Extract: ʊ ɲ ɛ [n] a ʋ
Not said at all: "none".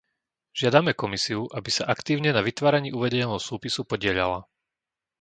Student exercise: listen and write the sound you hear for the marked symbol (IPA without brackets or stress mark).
n